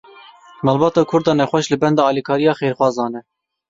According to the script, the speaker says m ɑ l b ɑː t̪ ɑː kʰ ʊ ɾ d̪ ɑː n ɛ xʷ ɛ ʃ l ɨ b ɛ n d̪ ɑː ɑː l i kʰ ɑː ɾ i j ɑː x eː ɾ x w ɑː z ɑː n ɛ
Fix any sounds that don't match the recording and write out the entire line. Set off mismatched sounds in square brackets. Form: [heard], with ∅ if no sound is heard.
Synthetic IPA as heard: m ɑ l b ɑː t̪ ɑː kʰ ʊ ɾ d̪ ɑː n ɛ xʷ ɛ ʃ l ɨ b ɛ n d̪ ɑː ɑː l i kʰ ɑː ɾ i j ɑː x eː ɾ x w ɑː z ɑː n ɛ